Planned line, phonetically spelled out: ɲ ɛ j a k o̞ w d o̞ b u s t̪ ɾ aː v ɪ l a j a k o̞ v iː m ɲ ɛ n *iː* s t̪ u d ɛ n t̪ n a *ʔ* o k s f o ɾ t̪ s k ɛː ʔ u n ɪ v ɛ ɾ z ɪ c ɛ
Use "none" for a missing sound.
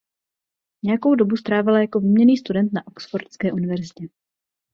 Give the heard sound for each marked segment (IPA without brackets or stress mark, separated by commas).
iː, ʔ